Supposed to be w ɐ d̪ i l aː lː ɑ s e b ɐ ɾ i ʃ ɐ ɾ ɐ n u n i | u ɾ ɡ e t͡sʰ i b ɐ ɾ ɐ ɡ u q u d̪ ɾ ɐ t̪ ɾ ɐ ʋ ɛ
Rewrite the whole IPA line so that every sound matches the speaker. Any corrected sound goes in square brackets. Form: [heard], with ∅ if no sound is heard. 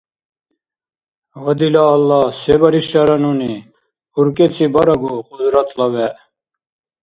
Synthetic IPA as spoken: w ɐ d̪ i l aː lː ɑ s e b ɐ ɾ i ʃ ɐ ɾ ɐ n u n i | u ɾ [k] e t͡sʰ i b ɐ ɾ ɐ ɡ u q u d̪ ɾ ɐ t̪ [l] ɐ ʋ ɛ

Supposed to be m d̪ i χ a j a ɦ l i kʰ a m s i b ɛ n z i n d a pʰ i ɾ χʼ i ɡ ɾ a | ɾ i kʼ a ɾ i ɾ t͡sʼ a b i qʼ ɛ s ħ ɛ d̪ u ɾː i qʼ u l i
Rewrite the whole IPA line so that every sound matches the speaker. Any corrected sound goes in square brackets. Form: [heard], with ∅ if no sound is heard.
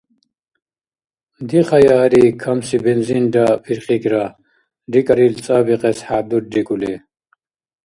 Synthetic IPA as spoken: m d̪ i χ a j a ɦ [ɾ] i kʰ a m s i b ɛ n z i n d a pʰ i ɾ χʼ i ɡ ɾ a | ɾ i kʼ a ɾ i [l] t͡sʼ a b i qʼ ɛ s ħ [a] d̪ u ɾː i [kʼ] u l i

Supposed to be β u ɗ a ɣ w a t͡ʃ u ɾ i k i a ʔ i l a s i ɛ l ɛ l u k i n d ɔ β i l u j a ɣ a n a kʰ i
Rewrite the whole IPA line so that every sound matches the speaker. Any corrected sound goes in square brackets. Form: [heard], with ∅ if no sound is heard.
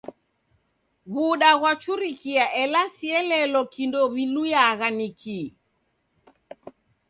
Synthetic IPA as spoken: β u ɗ a ɣ w a t͡ʃ u ɾ i k i a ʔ [ɛ] l a s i ɛ l ɛ l [ɔ] k i n d ɔ β i l u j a ɣ a n [i] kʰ i

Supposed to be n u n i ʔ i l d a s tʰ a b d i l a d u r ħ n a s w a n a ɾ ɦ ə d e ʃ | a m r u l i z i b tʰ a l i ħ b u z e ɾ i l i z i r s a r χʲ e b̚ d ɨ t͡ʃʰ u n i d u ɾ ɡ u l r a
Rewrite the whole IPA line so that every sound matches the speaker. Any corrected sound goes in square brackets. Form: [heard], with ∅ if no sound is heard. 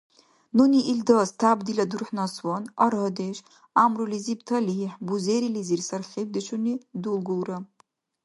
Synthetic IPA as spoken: n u n i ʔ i l d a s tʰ a b d i l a d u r ħ n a s w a n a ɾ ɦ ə d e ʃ | a m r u l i z i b tʰ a l i ħ b u z e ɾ i l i z i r s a r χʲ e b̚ d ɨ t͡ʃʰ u n i d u [l] ɡ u l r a

